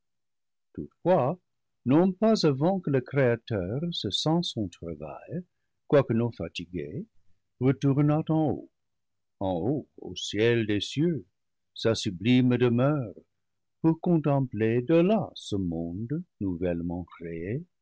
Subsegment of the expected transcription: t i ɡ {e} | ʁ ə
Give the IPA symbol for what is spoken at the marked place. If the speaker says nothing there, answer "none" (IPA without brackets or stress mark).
e